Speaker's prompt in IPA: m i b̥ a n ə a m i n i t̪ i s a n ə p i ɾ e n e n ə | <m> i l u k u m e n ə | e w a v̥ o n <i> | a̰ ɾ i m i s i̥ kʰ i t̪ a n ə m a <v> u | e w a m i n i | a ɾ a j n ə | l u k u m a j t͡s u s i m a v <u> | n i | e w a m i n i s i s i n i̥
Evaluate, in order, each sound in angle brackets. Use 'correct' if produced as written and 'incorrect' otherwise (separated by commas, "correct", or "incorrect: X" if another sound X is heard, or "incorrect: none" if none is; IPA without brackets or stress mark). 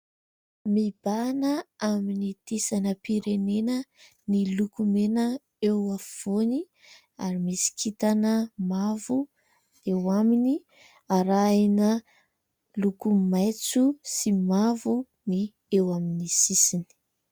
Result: incorrect: n, correct, correct, correct